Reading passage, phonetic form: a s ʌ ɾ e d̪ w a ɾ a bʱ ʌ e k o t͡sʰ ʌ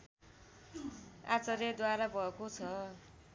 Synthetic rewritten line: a t͡s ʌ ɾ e d̪ w a ɾ a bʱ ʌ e k o t͡sʰ ʌ